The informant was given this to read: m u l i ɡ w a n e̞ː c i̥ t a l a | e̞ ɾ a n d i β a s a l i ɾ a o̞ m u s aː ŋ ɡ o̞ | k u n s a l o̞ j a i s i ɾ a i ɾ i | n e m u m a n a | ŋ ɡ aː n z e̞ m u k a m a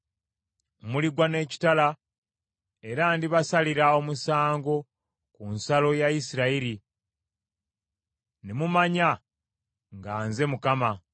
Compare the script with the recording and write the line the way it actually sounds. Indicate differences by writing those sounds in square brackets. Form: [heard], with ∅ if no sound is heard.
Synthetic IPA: m u l i ɡ w a n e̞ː c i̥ t a l a | e̞ ɾ a n d i β a s a l i ɾ a o̞ m u s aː ŋ ɡ o̞ | k u n s a l o̞ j a i s i ɾ a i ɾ i | n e m u m a [ɲ] a | ŋ ɡ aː n z e̞ m u k a m a